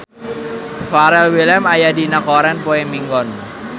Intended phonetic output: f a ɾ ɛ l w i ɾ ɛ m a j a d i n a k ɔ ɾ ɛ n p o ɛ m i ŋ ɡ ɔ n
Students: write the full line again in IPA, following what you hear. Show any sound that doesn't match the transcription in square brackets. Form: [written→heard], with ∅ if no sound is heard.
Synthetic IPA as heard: f a ɾ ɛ l w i [ɾ→l] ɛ m a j a d i n a k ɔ ɾ ɛ n p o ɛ m i ŋ ɡ ɔ n

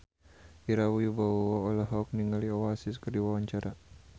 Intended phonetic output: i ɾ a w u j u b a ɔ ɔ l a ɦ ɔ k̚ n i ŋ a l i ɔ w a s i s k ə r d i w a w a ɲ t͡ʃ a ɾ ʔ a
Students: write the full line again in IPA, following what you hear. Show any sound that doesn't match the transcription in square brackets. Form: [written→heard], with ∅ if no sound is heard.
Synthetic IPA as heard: i ɾ a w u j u b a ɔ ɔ l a ɦ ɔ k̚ n i ŋ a l i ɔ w a s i s k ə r d i w a w a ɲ t͡ʃ a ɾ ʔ a

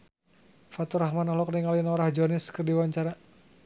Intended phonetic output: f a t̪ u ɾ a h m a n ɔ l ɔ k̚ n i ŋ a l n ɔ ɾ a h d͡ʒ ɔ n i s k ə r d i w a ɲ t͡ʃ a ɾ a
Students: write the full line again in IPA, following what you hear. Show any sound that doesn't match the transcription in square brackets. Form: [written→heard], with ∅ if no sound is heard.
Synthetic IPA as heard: f a t̪ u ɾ a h m a n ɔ l ɔ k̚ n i ŋ a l n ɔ ɾ a h d͡ʒ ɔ n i s k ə r d i w a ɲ t͡ʃ a ɾ a

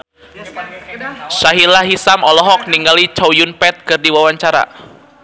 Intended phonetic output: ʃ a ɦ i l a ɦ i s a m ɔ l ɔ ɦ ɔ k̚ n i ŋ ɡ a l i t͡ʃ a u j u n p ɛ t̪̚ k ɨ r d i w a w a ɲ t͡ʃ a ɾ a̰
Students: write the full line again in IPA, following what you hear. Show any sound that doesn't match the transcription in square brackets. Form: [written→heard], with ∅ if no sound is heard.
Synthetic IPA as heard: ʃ a ɦ i l a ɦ i s a m ɔ l ɔ ɦ ɔ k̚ n i ŋ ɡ a l i t͡ʃ a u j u n p ɛ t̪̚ k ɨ r d i w a w a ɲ t͡ʃ a ɾ a̰

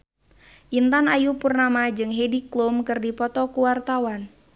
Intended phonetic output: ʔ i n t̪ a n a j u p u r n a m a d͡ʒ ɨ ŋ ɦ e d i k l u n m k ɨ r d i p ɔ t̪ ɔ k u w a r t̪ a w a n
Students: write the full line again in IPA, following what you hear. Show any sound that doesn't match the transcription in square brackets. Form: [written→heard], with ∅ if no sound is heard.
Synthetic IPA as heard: ʔ i n t̪ a n a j u p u r n a m a d͡ʒ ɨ ŋ ɦ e d i k l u [n→∅] m k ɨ r d i p ɔ t̪ ɔ k u w a r t̪ a w a n

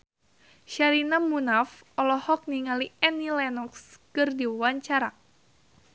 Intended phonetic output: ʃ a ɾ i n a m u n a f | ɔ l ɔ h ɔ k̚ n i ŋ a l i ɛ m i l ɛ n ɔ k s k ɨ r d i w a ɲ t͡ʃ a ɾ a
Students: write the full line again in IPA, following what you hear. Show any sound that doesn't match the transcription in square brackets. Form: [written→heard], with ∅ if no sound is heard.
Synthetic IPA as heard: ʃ a ɾ i n a m u n a f | ɔ l ɔ h ɔ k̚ n i ŋ a l i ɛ [m→n] i l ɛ n ɔ k s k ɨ r d i w a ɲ t͡ʃ a ɾ a

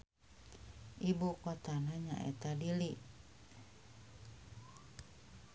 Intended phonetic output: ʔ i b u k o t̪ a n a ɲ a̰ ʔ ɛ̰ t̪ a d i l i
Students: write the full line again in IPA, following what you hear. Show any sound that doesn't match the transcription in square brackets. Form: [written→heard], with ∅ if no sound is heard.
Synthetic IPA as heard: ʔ i b u k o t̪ a n a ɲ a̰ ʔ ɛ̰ t̪ a d i l i

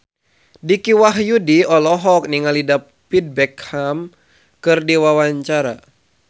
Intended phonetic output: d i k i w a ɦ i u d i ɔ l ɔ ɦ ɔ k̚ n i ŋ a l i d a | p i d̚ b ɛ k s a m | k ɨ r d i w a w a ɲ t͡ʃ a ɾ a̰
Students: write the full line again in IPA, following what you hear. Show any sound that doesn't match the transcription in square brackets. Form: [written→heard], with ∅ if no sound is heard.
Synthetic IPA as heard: d i k i w a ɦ [i→j] u d i ɔ l ɔ ɦ ɔ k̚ n i ŋ a l i d a | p i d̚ b ɛ k [s→h] a m | k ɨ r d i w a w a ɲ t͡ʃ a ɾ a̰

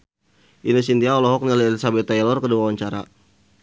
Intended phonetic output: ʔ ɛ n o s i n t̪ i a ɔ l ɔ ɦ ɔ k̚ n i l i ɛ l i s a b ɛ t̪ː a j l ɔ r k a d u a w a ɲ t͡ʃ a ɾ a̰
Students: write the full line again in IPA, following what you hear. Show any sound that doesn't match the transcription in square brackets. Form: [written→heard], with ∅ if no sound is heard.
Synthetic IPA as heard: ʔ [ɛ→i] n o s i n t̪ i a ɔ l ɔ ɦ ɔ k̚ n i l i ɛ l i s a b ɛ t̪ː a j l ɔ r k [a→ə] d u a w a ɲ t͡ʃ a ɾ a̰

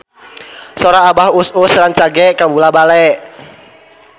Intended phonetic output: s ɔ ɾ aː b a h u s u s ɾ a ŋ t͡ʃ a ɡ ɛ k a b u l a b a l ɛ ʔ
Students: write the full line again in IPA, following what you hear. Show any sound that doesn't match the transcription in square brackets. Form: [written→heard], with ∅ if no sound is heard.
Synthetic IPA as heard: s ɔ ɾ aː b a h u s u s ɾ a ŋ t͡ʃ a ɡ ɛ k a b u l a b a l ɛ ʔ

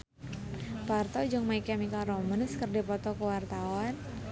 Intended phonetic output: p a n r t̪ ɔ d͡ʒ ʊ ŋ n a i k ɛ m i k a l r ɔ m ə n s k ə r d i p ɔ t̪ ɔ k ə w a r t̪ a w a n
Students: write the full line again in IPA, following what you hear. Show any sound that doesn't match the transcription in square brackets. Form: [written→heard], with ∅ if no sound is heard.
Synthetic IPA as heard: p a [n→∅] r t̪ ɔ d͡ʒ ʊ ŋ [n→m] a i k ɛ m i k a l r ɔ m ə n s k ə r d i p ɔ t̪ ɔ k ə w a r t̪ a w a n

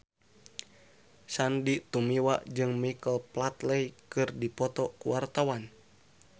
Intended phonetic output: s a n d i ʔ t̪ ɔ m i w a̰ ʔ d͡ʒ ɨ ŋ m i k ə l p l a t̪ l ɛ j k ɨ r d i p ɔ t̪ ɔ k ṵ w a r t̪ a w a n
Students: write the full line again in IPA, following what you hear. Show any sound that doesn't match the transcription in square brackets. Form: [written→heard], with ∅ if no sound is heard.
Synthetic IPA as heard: s a n d i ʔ t̪ [ɔ→u] m i w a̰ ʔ d͡ʒ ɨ ŋ m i k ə l p l a t̪ l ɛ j k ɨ r d i p ɔ t̪ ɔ k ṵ w a r t̪ a w a n

